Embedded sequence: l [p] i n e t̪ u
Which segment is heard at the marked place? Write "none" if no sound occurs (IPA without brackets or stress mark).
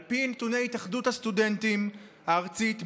p